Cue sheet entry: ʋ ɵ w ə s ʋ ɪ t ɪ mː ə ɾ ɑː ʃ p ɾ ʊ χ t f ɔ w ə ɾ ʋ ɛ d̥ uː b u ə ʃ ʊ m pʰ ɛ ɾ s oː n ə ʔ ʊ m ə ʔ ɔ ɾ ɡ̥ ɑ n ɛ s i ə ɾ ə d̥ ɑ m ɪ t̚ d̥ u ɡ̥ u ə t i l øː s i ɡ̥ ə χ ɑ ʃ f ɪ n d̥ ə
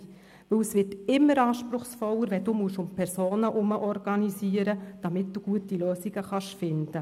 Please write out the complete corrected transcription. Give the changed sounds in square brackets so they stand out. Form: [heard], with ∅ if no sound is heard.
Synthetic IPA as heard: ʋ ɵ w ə s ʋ ɪ t ɪ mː ə ɾ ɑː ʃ p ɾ ʊ χ [s] f ɔ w ə ɾ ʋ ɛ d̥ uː [m] u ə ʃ ʊ m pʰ ɛ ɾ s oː n ə ʔ ʊ m ə ʔ ɔ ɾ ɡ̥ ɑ n [i] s i ə ɾ ə d̥ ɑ m ɪ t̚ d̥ u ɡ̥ u ə t i l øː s i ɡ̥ ə χ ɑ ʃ f ɪ n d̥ ə

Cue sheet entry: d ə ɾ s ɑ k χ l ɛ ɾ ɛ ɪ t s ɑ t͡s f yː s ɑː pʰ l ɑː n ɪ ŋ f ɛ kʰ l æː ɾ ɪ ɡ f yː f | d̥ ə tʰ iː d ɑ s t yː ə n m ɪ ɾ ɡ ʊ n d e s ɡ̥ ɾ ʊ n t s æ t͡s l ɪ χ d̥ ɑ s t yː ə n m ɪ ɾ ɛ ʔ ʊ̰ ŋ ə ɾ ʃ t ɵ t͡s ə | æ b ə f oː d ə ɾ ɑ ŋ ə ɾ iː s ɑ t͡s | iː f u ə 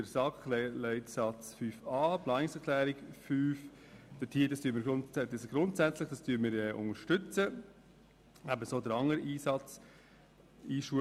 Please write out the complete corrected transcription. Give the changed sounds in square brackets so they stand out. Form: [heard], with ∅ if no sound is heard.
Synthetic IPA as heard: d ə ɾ s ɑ k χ l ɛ [l] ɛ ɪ t s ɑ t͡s f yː [f] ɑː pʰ l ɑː n ɪ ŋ [s] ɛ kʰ l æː ɾ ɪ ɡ f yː f | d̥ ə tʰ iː d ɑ s t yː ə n m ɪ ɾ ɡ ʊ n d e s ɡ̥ ɾ ʊ n t s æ t͡s l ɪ χ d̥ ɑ s t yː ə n m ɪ ɾ ɛ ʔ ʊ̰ ŋ ə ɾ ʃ t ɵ t͡s ə | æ b ə [s] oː d ə ɾ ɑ ŋ ə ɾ iː s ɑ t͡s | iː [ʃ] u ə

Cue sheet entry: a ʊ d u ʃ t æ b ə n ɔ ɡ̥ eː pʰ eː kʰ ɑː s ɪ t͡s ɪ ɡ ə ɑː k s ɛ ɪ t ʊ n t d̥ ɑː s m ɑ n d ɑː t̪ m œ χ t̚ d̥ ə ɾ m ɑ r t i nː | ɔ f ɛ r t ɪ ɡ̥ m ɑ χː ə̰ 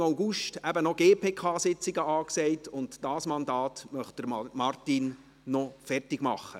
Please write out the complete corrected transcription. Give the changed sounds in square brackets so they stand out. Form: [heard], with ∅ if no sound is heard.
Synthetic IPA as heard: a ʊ [ɡ] u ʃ t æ b ə n ɔ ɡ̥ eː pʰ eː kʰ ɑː s ɪ t͡s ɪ ɡ ə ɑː k s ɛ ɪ t ʊ n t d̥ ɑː s m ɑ n d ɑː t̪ m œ χ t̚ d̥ ə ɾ m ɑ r t i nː | ɔ f ɛ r t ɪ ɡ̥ m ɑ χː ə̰

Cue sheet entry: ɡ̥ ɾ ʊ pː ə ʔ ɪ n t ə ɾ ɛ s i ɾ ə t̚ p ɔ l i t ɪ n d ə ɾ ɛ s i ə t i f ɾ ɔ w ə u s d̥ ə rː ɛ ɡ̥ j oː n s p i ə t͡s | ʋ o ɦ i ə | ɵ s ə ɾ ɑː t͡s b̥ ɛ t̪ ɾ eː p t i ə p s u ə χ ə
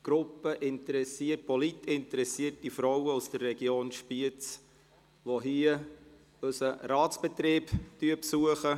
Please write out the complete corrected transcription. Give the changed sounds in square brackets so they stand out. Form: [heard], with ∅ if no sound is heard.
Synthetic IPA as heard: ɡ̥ ɾ ʊ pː ə ʔ ɪ n t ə ɾ ɛ s i [∅] ə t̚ p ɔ l i t ɪ n [t] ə ɾ ɛ s i ə t i f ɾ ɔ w ə u s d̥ ə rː ɛ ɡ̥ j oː n [ʃ] p i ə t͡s | ʋ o ɦ i ə | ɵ s ə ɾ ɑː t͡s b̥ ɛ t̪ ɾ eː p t [y] ə p s u ə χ ə

